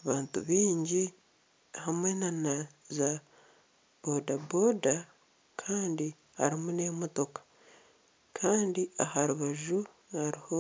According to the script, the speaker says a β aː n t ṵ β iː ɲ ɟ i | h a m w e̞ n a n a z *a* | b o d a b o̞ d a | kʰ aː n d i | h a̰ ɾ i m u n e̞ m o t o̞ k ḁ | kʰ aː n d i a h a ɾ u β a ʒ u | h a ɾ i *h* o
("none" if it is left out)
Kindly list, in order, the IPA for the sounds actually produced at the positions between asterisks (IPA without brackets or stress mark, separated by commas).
a, h